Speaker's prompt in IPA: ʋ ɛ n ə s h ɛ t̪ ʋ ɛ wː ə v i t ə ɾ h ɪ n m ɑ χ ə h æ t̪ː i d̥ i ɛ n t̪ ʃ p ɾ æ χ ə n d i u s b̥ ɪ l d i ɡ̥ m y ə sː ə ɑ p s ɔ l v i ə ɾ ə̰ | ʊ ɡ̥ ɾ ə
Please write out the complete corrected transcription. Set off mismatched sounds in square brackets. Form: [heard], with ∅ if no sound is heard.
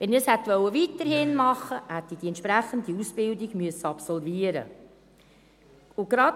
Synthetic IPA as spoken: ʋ ɛ n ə s h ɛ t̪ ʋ [œ] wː ə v i t ə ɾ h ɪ n m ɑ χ ə h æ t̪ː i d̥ i ɛ n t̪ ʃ p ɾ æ χ ə n d i u s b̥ ɪ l d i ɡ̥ m y ə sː ə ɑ p s ɔ l v i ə ɾ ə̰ | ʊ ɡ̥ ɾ [ɑ]

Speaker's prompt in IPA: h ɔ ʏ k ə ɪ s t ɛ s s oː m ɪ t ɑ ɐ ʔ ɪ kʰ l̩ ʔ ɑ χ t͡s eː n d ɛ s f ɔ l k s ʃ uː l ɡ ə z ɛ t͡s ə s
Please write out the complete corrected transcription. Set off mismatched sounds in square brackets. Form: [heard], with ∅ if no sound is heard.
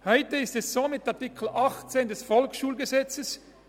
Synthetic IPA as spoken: h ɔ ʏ [t] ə ɪ s t ɛ s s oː m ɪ t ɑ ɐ [t] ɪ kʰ l̩ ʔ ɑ χ t͡s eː n d ɛ s f ɔ l k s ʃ uː l ɡ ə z ɛ t͡s ə s

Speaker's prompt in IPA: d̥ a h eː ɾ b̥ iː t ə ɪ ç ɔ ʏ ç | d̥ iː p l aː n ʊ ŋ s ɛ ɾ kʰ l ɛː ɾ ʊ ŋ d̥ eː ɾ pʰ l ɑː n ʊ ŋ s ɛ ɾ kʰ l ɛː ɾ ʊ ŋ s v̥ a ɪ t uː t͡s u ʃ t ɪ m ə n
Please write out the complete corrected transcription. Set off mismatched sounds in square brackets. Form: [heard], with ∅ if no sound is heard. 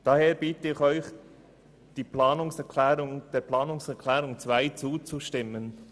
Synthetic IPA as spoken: d̥ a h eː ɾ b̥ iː t ə ɪ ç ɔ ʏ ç | d̥ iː p l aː n ʊ ŋ s ɛ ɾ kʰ l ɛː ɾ ʊ ŋ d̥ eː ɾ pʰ l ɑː n ʊ ŋ s ɛ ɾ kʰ l ɛː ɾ ʊ ŋ [t͡s] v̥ a ɪ [t͡s] uː t͡s u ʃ t ɪ m ə n

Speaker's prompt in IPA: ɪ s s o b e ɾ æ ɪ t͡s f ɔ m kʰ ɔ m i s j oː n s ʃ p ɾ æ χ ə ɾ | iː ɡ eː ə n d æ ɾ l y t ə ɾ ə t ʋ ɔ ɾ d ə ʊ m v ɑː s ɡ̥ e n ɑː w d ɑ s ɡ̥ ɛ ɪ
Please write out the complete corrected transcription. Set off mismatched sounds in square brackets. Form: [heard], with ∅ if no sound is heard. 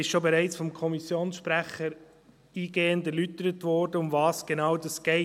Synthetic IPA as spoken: ɪ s [ʃ] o b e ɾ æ ɪ t͡s f ɔ m kʰ ɔ m i s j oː n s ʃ p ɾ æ χ ə ɾ | iː ɡ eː ə n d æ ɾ l y t ə ɾ ə t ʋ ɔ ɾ d ə ʊ m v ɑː s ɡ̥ e n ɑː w d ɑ s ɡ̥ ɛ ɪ

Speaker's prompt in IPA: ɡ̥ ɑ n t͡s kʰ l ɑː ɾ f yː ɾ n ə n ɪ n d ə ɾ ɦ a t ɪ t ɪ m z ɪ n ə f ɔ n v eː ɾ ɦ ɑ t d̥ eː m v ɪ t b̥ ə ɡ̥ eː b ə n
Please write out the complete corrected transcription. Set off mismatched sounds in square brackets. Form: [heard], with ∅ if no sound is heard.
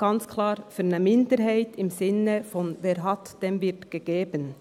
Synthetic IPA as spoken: ɡ̥ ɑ n t͡s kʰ l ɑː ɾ f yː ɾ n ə [m] ɪ n d ə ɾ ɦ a [∅] ɪ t ɪ m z ɪ n ə f ɔ n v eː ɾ ɦ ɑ t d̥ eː m v ɪ t [ɡ̥] ə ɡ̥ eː b ə n

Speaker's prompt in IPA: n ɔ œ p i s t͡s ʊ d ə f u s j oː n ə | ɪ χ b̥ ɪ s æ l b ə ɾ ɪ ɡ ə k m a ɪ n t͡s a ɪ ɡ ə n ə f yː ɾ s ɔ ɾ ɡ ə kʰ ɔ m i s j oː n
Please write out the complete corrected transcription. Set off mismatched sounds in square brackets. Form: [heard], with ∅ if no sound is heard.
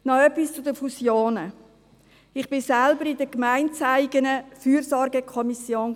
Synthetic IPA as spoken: n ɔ œ p i s t͡s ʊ d ə f u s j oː n ə | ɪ χ b̥ ɪ s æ l b ə ɾ ɪ [d] ə k m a ɪ n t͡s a ɪ ɡ ə n ə f yː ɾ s ɔ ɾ ɡ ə kʰ ɔ m i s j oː n

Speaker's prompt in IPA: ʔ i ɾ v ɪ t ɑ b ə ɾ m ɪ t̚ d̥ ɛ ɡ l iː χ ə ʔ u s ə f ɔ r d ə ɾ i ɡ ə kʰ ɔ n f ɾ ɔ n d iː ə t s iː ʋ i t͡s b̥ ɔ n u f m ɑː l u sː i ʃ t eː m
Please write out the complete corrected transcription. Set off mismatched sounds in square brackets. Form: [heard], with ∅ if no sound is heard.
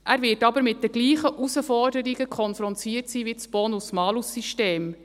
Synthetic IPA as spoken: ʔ [æ] ɾ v ɪ t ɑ b ə ɾ m ɪ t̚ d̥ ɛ ɡ l iː χ ə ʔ u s ə f ɔ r d ə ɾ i ɡ ə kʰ ɔ n f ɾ ɔ n [t] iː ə t s iː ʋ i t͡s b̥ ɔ n u [s] m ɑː l u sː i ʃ t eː m

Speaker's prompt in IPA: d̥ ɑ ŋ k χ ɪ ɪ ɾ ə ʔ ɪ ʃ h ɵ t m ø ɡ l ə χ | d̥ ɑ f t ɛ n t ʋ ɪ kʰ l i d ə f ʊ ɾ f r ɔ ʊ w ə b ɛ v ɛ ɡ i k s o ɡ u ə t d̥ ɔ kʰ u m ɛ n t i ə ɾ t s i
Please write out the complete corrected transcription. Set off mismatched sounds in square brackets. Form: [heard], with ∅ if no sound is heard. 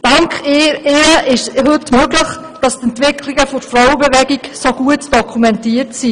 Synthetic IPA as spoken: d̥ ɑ ŋ k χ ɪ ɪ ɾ ə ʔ ɪ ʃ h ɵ t m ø ɡ l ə χ | d̥ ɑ [s] t ɛ n t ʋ ɪ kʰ l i [ɡ] ə f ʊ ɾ f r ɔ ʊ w ə b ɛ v ɛ ɡ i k s o ɡ u ə t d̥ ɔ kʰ u m ɛ n t i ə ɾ t s i

